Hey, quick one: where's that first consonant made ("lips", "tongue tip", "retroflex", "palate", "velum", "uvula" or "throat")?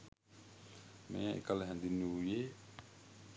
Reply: lips